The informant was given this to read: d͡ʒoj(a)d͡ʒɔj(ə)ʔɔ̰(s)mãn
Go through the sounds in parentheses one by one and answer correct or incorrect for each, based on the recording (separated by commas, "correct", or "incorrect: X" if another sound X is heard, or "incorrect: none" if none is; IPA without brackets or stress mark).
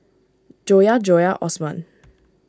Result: correct, incorrect: a, correct